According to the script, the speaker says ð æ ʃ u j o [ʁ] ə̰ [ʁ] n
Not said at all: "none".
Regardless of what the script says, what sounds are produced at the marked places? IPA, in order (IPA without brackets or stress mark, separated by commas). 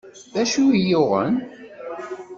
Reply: ʁ, none